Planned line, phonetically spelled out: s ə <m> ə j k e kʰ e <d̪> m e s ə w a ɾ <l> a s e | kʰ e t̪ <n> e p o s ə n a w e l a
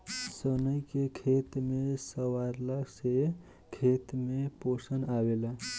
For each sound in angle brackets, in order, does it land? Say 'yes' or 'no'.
no, no, yes, no

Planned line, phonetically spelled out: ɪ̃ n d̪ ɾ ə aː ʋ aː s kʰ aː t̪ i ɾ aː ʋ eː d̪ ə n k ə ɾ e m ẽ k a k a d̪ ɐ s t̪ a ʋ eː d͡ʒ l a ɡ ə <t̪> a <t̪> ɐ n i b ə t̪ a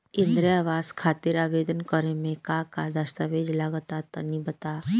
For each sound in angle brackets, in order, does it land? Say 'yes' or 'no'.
yes, yes

